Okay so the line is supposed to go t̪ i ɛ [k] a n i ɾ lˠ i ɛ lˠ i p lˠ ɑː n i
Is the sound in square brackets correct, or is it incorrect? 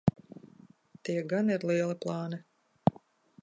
incorrect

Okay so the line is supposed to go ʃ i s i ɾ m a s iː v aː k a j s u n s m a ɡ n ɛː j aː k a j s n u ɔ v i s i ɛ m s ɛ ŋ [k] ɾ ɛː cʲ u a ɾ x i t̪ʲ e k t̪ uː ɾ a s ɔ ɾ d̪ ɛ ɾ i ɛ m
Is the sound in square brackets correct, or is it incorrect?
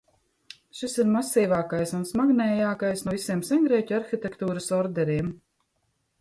incorrect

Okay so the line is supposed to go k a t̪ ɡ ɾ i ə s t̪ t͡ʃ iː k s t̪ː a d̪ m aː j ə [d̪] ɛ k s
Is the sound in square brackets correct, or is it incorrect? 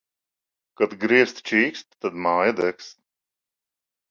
correct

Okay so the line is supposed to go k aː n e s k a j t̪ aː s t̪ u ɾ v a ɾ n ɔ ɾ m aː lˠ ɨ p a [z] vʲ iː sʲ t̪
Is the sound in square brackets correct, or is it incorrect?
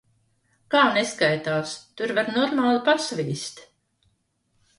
incorrect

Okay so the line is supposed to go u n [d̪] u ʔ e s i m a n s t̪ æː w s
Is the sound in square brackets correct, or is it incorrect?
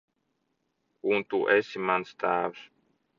incorrect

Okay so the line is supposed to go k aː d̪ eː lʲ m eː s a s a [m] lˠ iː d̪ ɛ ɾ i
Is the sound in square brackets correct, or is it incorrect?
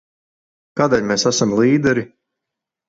correct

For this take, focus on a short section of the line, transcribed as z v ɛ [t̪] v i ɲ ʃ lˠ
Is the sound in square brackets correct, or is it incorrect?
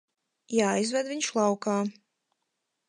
incorrect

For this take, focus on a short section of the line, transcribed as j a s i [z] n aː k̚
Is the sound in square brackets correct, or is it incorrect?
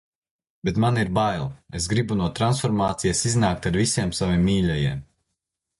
correct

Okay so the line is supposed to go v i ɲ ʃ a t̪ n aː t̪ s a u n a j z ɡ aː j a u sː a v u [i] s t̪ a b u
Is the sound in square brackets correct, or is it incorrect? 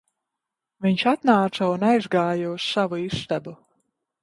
correct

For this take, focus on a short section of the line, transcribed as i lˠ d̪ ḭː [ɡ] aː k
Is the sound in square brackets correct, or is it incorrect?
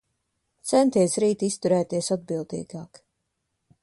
correct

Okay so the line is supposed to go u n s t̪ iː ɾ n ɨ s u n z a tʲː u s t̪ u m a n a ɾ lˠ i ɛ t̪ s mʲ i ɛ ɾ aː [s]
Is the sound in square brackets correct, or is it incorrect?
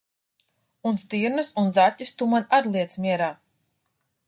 incorrect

